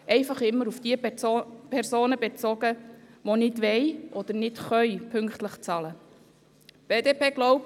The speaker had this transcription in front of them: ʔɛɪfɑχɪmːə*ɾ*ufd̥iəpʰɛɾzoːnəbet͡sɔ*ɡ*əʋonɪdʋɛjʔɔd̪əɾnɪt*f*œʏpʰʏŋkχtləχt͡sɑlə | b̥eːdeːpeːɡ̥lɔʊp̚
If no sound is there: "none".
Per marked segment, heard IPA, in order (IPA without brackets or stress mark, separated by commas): ɾ, ɡ, χ